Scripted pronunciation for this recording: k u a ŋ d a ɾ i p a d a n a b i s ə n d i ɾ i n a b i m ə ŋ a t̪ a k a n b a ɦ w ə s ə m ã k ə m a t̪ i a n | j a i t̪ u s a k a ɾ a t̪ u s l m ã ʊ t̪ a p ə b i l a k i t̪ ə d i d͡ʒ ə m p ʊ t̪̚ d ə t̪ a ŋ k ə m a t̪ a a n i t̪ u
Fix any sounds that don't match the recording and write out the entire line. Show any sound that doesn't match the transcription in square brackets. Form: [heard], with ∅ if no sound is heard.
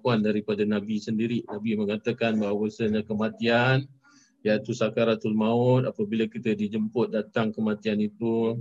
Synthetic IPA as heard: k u a [n] d a ɾ i p a d a n a b i s ə n d i ɾ i n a b i m ə ŋ a t̪ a k a n b a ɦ w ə s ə [ɲ] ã k ə m a t̪ i a n | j a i t̪ u s a k a ɾ a t̪ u [∅] l m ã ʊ t̪ a p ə b i l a k i t̪ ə d i d͡ʒ ə m p ʊ t̪̚ d [a] t̪ a ŋ k ə m a t̪ [i] a n i t̪ u